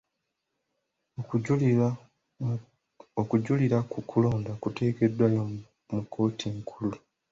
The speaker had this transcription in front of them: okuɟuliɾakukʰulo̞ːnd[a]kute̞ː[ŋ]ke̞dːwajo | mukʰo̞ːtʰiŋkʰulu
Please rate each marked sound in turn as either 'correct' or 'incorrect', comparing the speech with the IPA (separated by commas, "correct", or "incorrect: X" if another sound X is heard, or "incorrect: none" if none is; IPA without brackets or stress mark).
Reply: correct, incorrect: none